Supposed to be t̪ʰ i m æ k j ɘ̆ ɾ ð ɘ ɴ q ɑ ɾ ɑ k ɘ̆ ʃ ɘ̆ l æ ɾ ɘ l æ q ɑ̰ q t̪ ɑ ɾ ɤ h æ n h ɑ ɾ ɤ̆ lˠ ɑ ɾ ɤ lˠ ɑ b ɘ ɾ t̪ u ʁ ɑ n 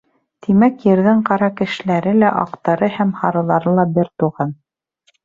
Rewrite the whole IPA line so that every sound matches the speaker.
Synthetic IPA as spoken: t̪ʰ i m æ k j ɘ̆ ɾ ð ɘ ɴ q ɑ ɾ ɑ k ɘ̆ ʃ ɘ̆ l æ ɾ ɘ l æ ʔ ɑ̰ q t̪ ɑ ɾ ɤ h æ m h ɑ ɾ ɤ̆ lˠ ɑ ɾ ɤ lˠ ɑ b ɘ ɾ t̪ u ʁ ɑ n